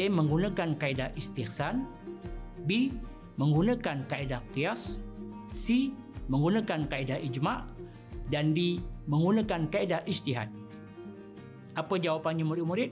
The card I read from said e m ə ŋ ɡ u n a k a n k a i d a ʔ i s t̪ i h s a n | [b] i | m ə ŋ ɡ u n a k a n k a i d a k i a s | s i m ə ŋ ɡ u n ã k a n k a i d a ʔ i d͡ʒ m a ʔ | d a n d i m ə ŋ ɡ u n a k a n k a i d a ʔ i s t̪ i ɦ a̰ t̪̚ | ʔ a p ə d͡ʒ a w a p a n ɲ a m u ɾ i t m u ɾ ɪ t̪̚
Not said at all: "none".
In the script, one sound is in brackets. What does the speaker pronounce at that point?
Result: b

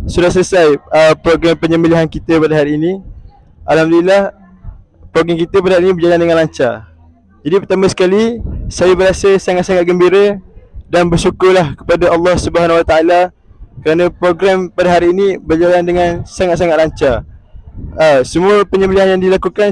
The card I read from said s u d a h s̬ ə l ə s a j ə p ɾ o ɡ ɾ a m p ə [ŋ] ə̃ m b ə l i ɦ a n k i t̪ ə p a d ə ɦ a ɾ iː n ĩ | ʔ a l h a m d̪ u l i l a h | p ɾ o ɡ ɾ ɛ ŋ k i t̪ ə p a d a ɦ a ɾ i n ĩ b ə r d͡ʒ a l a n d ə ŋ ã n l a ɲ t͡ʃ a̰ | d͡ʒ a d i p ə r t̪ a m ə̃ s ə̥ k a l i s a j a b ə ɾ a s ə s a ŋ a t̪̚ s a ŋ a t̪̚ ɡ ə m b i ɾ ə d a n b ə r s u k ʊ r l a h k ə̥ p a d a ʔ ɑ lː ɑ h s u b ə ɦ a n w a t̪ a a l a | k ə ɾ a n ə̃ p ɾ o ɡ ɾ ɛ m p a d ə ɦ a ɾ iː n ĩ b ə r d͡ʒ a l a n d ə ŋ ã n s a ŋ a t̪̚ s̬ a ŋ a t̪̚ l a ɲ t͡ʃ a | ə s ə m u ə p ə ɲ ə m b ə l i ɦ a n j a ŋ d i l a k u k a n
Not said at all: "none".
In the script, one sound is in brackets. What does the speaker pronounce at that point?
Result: ɲ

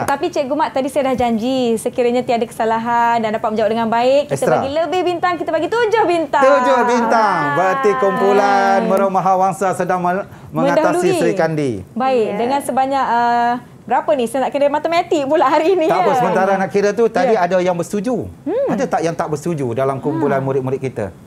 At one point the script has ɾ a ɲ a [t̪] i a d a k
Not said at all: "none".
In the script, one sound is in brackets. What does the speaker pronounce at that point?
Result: t̪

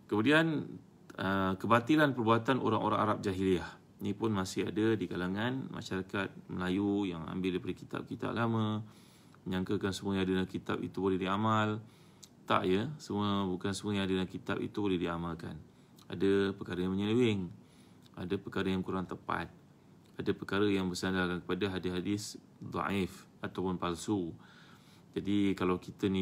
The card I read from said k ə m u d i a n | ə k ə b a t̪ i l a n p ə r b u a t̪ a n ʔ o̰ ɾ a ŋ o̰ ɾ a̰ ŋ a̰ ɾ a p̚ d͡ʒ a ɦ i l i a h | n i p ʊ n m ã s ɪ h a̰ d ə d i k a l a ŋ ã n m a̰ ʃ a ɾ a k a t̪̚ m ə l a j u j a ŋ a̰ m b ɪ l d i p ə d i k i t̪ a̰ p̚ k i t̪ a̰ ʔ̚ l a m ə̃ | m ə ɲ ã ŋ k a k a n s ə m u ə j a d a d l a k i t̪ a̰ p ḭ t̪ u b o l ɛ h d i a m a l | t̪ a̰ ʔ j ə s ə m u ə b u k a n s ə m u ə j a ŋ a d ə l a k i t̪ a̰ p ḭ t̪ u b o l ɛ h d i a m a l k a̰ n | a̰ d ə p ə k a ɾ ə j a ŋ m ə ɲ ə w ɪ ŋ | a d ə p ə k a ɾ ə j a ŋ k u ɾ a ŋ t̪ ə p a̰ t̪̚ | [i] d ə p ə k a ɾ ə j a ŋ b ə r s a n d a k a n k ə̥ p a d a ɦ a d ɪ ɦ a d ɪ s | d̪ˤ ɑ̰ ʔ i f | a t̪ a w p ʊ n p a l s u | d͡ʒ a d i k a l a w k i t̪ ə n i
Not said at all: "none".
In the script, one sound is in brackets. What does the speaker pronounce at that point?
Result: a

